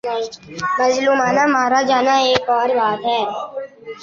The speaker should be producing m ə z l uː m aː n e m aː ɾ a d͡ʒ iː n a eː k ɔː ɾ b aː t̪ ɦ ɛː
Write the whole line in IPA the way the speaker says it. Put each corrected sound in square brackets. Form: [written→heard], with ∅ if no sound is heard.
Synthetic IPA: m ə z l uː m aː n [e→a] m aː ɾ a d͡ʒ [iː→aː] n a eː k ɔː ɾ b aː t̪ ɦ ɛː